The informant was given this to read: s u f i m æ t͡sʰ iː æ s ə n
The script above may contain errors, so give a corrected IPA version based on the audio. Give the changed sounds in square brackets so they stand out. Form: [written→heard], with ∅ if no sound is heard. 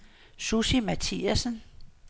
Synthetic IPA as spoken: s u [f→s] i m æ t͡sʰ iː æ s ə n